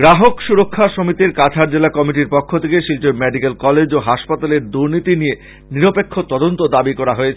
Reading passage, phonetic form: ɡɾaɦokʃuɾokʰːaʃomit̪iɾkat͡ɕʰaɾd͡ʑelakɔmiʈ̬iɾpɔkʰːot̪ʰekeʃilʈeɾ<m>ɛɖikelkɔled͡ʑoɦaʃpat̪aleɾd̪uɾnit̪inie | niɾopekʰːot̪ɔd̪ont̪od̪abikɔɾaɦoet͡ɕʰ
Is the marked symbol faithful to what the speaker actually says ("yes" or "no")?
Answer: yes